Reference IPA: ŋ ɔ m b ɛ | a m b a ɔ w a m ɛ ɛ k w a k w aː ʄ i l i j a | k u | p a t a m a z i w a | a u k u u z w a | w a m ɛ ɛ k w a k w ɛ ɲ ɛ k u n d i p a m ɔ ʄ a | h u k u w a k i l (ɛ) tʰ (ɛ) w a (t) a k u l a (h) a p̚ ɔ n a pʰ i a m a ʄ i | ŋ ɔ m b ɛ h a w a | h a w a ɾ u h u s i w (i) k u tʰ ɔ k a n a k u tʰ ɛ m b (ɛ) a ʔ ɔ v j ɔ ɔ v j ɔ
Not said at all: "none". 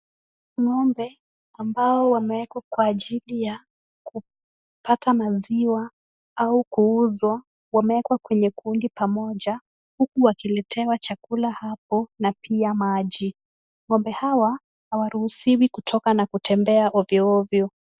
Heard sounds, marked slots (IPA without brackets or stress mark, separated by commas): ɛ, ɛ, t͡ʃ, h, i, ɛ